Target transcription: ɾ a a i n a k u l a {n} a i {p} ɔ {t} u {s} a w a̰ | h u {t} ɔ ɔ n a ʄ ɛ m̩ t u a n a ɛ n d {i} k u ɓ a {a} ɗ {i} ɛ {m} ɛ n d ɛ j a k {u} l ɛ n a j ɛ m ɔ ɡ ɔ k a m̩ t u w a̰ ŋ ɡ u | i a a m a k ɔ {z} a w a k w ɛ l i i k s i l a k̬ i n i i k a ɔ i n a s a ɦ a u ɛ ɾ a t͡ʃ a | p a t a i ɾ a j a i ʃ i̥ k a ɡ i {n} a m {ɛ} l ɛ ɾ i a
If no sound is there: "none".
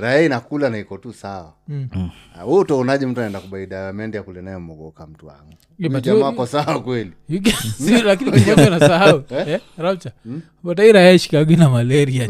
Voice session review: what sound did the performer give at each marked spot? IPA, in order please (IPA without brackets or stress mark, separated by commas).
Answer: n, k, t, s, t, a, i, a, m, u, s, n, a